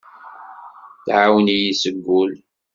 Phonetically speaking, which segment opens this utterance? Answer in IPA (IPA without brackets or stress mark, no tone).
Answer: θ